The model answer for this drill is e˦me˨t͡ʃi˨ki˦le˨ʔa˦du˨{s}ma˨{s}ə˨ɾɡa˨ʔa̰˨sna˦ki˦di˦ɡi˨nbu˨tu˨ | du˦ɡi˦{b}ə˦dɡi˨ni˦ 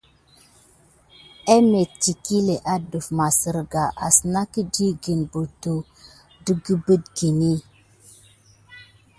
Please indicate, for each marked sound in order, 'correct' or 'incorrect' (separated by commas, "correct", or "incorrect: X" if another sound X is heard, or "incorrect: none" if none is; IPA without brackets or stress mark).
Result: incorrect: f, correct, correct